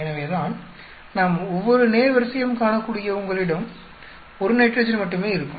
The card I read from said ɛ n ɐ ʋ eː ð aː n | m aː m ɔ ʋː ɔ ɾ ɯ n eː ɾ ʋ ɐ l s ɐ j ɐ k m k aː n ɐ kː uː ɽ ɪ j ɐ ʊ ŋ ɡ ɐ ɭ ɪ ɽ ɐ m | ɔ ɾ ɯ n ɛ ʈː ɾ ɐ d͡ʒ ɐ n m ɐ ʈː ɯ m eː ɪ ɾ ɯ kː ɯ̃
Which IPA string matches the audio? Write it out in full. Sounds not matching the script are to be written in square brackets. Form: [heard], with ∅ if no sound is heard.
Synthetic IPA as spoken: ɛ n ɐ ʋ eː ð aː n | [n] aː m ɔ ʋː ɔ ɾ ɯ n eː ɾ ʋ ɐ [ɾ] s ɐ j ɐ [∅] m k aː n ɐ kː uː ɽ ɪ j ɐ ʊ ŋ ɡ ɐ ɭ ɪ ɽ ɐ m | ɔ ɾ ɯ n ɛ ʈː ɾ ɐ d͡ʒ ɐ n m ɐ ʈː ɯ m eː ɪ ɾ ɯ kː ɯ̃